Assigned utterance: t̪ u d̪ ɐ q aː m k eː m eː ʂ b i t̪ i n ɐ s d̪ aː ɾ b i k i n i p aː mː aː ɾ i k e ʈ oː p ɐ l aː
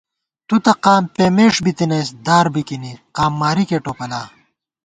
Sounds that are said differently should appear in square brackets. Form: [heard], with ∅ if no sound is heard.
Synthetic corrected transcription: t̪ u [t̪] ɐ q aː m [p] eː m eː ʂ b i t̪ i n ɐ s d̪ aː ɾ b i k i n i [q] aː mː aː ɾ i k e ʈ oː p ɐ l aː